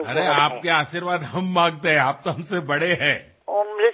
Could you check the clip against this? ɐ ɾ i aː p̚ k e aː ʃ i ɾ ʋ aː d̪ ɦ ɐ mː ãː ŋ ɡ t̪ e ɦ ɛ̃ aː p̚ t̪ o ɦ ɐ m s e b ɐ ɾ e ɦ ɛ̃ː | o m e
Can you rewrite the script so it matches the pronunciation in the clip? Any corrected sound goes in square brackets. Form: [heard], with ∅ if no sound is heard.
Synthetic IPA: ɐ ɾ [e] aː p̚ k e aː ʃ i ɾ ʋ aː d̪ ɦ ɐ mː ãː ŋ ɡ t̪ e ɦ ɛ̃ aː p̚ t̪ o ɦ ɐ m s e b ɐ [ɽ] e ɦ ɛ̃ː | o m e